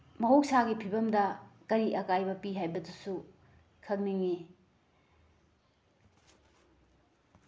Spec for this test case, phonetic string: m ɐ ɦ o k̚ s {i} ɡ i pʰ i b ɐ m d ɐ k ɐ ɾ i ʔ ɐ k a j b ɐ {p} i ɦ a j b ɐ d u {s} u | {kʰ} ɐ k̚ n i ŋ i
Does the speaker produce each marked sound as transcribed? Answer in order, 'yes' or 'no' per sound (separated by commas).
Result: no, yes, yes, yes